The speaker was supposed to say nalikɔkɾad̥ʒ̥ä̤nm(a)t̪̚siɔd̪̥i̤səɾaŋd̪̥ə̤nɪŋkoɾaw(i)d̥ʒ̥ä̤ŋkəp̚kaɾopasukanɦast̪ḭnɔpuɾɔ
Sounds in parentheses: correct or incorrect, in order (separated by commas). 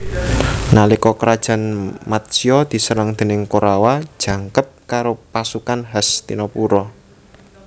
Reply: correct, incorrect